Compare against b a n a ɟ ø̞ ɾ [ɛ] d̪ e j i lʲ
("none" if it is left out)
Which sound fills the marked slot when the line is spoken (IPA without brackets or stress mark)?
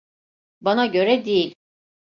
ɛ